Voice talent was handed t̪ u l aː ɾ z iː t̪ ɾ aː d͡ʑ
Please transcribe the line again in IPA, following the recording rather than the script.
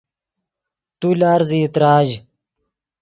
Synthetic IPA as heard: t̪ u l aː ɾ z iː t̪ ɾ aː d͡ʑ